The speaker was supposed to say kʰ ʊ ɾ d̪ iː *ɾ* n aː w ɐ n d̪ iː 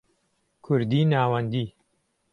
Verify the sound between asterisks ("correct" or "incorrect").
incorrect